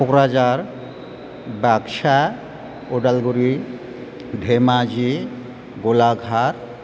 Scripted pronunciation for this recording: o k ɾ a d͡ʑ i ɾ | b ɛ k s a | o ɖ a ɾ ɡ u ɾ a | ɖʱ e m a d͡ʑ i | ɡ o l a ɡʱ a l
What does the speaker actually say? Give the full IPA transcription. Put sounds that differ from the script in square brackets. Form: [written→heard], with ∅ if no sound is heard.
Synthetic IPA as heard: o k ɾ a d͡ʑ [i→a] ɾ | b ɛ k [s→ʃ] a | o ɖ a [ɾ→l] ɡ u ɾ [a→i] | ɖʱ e m a d͡ʑ i | ɡ o l a ɡʱ a [l→ɾ]